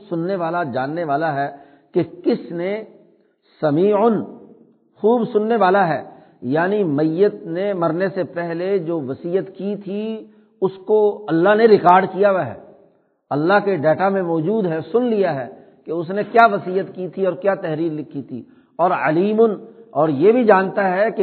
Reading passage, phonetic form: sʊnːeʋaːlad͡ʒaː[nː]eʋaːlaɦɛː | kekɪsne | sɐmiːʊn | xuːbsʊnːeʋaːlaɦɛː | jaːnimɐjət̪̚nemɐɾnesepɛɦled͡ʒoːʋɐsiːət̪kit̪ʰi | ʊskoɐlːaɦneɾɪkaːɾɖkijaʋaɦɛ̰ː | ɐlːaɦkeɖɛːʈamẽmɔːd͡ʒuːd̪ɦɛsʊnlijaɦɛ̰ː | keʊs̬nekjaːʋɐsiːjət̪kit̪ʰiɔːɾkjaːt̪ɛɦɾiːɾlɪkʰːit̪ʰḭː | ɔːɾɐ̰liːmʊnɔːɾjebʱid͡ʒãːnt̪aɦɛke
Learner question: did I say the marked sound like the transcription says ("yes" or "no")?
yes